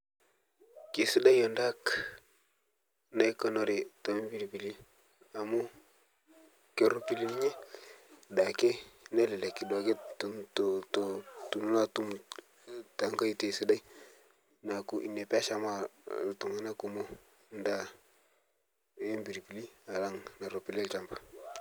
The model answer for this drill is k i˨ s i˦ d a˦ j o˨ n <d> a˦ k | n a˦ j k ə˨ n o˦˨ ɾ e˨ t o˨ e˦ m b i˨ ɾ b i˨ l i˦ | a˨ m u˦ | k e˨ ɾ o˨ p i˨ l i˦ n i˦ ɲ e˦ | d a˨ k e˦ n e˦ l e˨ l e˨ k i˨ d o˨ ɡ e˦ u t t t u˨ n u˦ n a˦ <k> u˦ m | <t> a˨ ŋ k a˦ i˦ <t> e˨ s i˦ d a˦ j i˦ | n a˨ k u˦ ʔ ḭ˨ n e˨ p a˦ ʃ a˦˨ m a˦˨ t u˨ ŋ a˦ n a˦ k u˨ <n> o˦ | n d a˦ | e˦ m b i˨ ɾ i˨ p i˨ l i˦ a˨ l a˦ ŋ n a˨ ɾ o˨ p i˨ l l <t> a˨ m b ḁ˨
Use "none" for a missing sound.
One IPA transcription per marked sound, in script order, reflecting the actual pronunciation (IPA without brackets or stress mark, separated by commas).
d, t, t, t, m, t͡ʃ